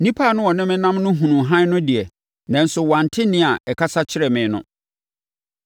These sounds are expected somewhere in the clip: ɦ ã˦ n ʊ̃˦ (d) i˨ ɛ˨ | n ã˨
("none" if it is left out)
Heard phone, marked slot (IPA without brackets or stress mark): d